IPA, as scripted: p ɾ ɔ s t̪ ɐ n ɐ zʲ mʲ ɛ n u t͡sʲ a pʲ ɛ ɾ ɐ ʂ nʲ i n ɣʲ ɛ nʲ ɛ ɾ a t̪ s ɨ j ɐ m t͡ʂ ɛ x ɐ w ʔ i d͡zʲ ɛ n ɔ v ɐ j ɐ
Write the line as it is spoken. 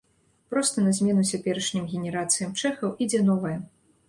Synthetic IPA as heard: p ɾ ɔ s t̪ ɐ n ɐ zʲ mʲ ɛ n u t͡sʲ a pʲ ɛ ɾ ɐ ʂ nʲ i m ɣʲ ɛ nʲ ɛ ɾ a t̪ s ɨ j ɐ m t͡ʂ ɛ x ɐ w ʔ i d͡zʲ ɛ n ɔ v ɐ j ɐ